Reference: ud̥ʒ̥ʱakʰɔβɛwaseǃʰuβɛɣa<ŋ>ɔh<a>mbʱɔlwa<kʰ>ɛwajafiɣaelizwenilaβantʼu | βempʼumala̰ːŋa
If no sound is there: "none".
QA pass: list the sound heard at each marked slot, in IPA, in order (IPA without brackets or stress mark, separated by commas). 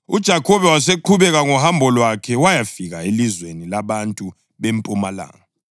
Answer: ŋ, a, kʰ